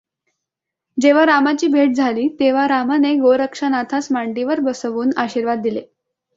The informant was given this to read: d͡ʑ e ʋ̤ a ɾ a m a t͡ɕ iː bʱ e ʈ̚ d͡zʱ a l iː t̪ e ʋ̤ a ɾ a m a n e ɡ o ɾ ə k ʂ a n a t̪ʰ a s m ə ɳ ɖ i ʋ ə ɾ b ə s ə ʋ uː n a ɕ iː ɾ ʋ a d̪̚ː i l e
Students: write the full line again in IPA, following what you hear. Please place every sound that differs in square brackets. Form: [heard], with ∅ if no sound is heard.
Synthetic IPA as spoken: d͡ʑ e ʋ̤ a ɾ a m a t͡ɕ iː bʱ e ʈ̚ d͡zʱ a l iː t̪ e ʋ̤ a ɾ a m a n e ɡ o ɾ ə k ʂ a n a t̪ʰ a s m [a] ɳ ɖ i ʋ ə ɾ b ə s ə ʋ uː n a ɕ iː ɾ ʋ a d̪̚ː i l e